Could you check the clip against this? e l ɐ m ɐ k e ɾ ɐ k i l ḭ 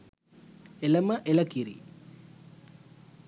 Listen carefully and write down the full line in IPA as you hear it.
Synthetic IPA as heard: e l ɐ m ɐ ʔ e l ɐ k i ɾ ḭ